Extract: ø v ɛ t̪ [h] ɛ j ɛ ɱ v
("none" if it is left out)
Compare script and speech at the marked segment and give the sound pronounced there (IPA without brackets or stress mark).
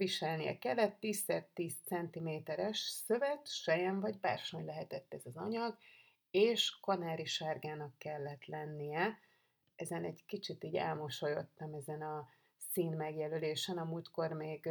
ʃ